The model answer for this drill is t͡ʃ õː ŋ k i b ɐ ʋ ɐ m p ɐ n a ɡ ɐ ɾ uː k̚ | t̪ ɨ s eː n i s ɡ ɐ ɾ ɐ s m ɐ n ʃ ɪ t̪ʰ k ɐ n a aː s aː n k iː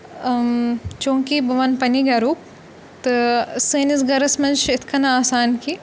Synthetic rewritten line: t͡ʃ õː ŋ k i b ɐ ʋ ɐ n p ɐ n i ɡ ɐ ɾ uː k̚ | t̪ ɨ s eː n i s ɡ ɐ ɾ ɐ s m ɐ n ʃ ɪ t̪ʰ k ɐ n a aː s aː n k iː